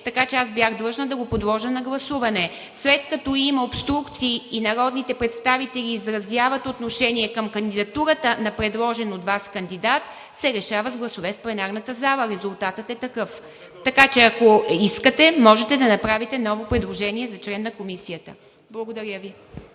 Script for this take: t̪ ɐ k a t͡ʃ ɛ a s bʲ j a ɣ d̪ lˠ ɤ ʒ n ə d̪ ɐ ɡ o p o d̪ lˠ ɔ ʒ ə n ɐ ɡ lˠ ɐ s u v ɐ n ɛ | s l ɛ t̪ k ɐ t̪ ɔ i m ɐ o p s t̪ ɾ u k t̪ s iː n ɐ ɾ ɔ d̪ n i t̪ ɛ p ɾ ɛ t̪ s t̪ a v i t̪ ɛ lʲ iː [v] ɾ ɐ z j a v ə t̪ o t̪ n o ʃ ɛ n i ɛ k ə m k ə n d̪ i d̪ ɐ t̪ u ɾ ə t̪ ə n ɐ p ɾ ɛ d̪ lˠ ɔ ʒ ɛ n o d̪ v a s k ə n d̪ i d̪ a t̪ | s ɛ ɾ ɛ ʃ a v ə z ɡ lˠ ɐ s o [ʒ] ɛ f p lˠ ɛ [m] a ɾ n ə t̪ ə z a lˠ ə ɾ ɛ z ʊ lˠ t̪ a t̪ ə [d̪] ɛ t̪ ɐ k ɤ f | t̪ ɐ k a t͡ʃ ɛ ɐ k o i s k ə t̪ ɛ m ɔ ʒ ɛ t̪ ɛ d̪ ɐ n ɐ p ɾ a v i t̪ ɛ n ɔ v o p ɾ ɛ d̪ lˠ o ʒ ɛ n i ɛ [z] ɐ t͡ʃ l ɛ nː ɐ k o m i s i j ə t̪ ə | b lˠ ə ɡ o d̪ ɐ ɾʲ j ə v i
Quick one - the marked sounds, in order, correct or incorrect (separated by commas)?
incorrect, incorrect, incorrect, incorrect, correct